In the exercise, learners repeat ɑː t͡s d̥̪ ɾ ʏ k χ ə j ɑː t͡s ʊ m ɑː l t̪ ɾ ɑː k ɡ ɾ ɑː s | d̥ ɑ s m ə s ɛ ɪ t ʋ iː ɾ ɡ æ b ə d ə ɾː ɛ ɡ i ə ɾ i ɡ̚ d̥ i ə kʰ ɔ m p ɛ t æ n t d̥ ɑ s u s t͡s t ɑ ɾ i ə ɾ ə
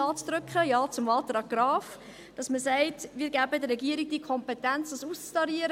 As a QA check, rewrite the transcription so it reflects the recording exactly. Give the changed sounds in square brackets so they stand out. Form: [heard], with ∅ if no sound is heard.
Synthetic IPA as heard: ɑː t͡s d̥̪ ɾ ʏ k χ ə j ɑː t͡s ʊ m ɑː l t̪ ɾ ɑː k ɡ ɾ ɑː [f] | d̥ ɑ s m ə s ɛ ɪ t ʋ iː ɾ ɡ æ b ə d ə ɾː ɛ ɡ i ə ɾ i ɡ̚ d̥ i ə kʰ ɔ m p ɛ t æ n [t͡s] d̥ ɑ s u s t͡s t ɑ ɾ i ə ɾ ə